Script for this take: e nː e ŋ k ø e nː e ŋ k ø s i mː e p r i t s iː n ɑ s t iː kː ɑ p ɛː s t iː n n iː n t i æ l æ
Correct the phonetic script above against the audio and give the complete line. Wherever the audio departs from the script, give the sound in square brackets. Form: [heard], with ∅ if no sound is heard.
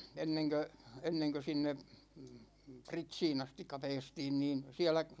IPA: e nː e ŋ k ø e nː e ŋ k ø s i [nː] e p r i t s iː n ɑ s t [i] kː ɑ p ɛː s t iː n n iː n [s] i æ l æ